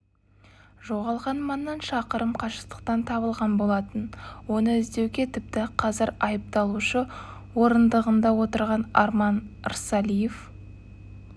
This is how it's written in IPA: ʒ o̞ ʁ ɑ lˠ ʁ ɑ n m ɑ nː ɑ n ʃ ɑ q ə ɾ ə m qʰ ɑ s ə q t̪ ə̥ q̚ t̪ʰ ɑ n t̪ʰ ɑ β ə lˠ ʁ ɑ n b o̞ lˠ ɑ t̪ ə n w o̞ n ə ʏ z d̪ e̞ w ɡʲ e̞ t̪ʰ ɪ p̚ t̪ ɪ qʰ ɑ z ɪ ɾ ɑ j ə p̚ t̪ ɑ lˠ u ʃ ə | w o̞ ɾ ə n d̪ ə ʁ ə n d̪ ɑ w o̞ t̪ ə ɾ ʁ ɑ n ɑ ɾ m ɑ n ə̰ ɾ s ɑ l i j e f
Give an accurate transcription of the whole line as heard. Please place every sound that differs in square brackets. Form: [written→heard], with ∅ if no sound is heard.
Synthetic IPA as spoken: ʒ o̞ ʁ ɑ lˠ ʁ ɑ n m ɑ nː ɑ n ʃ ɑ q ə ɾ ə m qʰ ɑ [s→ʃ] ə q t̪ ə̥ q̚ [t̪ʰ→t̪] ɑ n t̪ʰ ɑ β ə lˠ ʁ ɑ n b o̞ lˠ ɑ t̪ ə n w o̞ n ə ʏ z d̪ e̞ w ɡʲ e̞ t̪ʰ ɪ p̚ t̪ ɪ qʰ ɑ z ɪ ɾ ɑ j ə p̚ t̪ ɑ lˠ u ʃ ə | w o̞ ɾ ə n d̪ ə ʁ ə n d̪ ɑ w o̞ t̪ ə ɾ ʁ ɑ n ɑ ɾ m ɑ n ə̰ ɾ s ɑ l i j e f

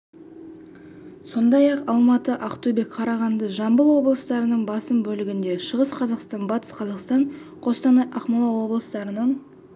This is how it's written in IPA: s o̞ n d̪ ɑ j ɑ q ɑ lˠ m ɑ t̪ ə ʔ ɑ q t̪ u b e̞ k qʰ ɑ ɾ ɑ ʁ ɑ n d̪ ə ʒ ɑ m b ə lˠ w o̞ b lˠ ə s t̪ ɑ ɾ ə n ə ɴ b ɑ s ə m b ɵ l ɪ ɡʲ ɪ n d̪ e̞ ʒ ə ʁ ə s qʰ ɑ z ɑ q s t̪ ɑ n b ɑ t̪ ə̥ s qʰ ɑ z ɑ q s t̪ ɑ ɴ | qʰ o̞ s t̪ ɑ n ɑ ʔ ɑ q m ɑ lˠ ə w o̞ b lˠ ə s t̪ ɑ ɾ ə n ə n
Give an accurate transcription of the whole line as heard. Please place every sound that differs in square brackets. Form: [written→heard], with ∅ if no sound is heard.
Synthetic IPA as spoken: s o̞ n d̪ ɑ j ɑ q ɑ lˠ m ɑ t̪ ə ʔ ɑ q t̪ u b e̞ k qʰ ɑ ɾ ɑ ʁ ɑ n d̪ ə ʒ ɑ m b ə lˠ w o̞ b lˠ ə s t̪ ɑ ɾ ə n ə ɴ b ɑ s ə m b ɵ l ɪ ɡʲ ɪ n d̪ e̞ [ʒ→ʃ] ə ʁ ə s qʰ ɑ z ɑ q s t̪ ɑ n b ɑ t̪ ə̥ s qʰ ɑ z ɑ q s t̪ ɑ ɴ | qʰ o̞ s t̪ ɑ n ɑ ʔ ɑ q m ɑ lˠ [ə→ɑ] w o̞ b lˠ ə s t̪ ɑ ɾ ə n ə [n→ɴ]

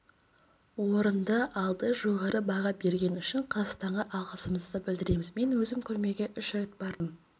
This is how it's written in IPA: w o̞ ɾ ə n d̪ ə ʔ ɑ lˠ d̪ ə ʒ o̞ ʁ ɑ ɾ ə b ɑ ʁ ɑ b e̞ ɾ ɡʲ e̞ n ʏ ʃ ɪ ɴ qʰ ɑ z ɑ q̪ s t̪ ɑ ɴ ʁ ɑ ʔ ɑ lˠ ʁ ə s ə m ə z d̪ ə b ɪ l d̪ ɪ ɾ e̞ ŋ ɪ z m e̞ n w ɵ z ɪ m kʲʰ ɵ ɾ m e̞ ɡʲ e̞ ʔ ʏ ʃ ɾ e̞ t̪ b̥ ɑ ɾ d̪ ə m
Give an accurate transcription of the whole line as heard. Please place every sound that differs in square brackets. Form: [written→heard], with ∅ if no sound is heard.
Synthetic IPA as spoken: w o̞ ɾ ə n d̪ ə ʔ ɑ lˠ d̪ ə ʒ o̞ ʁ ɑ ɾ ə b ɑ ʁ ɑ b e̞ ɾ ɡʲ e̞ n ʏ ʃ ɪ ɴ qʰ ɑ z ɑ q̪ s t̪ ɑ ɴ ʁ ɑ ʔ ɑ lˠ ʁ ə s ə m ə z d̪ ə b ɪ l d̪ ɪ ɾ e̞ [ŋ→m] ɪ z m e̞ n w ɵ z ɪ m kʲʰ ɵ ɾ m e̞ ɡʲ e̞ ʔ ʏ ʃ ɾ e̞ t̪ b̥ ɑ ɾ d̪ ə m

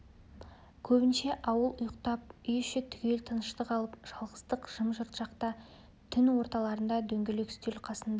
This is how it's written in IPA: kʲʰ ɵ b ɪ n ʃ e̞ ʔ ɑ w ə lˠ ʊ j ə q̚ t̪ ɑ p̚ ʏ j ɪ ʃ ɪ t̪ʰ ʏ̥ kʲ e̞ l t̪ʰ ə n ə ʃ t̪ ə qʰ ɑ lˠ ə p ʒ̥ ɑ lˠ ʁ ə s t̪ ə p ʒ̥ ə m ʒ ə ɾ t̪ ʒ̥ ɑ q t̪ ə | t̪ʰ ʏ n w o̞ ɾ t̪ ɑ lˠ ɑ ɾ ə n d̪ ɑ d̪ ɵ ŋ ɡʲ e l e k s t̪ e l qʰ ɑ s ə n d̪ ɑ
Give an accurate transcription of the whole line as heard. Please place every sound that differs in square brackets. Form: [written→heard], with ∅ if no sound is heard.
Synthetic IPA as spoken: kʲʰ ɵ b ɪ n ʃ e̞ ʔ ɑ w ə lˠ ʊ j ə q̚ t̪ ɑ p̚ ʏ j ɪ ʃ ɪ t̪ʰ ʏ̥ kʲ e̞ l t̪ʰ ə n ə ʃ t̪ ə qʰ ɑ lˠ ə p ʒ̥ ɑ lˠ ʁ ə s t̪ ə [p→q] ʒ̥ ə m ʒ ə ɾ t̪ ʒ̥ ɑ q t̪ [ə→ɑ] | t̪ʰ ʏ n w o̞ ɾ t̪ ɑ lˠ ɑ ɾ ə n d̪ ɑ d̪ ɵ ŋ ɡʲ e l e k s t̪ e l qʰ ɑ s ə n d̪ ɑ

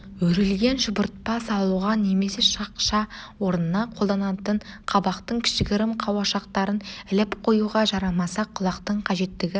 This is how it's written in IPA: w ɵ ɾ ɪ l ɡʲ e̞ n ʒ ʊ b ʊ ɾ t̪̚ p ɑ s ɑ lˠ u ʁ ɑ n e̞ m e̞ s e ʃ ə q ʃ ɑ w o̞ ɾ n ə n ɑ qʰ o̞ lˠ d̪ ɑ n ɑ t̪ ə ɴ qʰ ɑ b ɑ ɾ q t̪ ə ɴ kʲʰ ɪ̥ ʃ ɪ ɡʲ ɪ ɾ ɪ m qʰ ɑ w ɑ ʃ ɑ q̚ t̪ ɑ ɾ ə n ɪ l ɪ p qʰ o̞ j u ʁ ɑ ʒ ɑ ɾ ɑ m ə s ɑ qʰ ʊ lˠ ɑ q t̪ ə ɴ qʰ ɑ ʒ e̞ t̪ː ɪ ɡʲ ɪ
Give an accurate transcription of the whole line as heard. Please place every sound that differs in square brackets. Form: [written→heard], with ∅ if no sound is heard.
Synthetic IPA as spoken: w ɵ ɾ ɪ l ɡʲ e̞ n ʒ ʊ b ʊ ɾ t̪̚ p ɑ s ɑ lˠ u ʁ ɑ n e̞ m e̞ s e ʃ [ə→ɑ] q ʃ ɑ w o̞ ɾ n ə n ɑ qʰ o̞ lˠ d̪ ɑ n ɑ t̪ ə ɴ qʰ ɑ b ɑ [ɾ→∅] q t̪ ə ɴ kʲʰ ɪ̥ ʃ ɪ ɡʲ ɪ ɾ ɪ m qʰ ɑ w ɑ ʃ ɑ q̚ t̪ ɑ ɾ ə n ɪ l ɪ p qʰ o̞ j u ʁ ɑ ʒ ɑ ɾ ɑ m [ə→ɑ] s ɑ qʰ ʊ lˠ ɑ q t̪ ə ɴ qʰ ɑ ʒ e̞ t̪ː ɪ ɡʲ ɪ

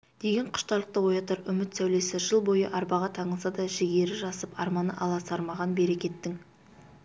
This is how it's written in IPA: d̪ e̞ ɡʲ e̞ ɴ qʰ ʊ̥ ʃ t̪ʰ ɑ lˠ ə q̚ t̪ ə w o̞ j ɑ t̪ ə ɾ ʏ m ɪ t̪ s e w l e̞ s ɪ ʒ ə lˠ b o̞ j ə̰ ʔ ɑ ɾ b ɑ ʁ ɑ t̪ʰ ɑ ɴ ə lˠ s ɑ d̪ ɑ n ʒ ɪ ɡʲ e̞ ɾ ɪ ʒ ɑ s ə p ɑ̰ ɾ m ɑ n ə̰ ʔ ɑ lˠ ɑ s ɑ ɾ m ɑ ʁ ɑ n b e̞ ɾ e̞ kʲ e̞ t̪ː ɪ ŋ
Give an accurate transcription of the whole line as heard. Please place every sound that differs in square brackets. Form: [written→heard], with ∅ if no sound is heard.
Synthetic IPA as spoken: d̪ e̞ ɡʲ e̞ ɴ qʰ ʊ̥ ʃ [t̪ʰ→t̪] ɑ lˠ ə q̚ t̪ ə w o̞ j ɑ t̪ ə ɾ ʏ m ɪ t̪ s [e→æ] w l e̞ s ɪ ʒ ə lˠ b o̞ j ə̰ ʔ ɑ ɾ b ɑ ʁ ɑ t̪ʰ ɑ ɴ ə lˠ s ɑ d̪ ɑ [n→∅] ʒ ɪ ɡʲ e̞ ɾ ɪ ʒ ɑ s ə p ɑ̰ ɾ m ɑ n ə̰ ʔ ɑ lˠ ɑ s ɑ ɾ m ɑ ʁ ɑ n b e̞ ɾ e̞ kʲ e̞ t̪ː ɪ ŋ

